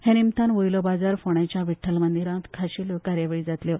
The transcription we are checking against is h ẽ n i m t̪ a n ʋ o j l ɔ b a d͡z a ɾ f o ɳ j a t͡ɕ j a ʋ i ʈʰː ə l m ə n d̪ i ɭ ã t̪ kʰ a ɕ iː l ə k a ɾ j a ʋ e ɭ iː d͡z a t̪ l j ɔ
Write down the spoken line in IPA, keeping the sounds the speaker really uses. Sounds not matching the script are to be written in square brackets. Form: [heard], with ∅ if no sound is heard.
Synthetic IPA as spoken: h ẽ n i m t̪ a n ʋ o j l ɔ b a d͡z a ɾ f o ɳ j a t͡ɕ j a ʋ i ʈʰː ə l m ə n d̪ i [ɾ] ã t̪ kʰ a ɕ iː l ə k a ɾ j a ʋ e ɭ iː d͡z a t̪ l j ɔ